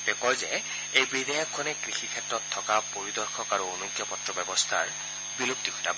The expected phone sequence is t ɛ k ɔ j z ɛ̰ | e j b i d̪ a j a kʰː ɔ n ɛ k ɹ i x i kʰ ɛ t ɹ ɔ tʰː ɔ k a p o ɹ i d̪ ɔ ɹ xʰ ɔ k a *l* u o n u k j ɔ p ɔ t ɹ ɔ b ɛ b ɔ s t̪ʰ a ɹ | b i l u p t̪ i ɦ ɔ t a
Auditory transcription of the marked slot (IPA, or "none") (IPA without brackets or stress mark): ɹ